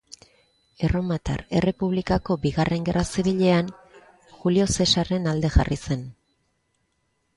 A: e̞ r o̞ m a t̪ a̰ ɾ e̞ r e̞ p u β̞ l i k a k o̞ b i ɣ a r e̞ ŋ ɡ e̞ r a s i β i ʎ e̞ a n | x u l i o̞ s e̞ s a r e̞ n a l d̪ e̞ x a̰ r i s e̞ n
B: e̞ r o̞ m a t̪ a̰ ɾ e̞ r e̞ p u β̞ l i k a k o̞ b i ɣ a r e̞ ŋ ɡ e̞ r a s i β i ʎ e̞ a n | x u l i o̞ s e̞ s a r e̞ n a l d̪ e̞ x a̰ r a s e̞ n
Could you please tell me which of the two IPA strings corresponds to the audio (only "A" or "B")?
A